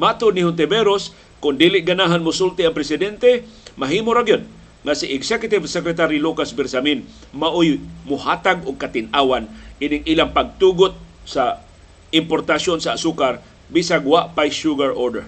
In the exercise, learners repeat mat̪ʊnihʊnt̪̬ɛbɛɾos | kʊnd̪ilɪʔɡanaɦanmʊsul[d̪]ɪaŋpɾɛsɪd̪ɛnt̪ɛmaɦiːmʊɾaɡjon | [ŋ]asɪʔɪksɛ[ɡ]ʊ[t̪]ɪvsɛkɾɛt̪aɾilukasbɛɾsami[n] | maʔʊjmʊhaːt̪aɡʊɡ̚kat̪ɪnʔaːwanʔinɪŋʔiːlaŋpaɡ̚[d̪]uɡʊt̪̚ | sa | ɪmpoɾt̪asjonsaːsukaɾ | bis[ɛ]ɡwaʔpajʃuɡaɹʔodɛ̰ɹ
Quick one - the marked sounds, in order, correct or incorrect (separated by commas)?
incorrect, correct, incorrect, correct, correct, incorrect, incorrect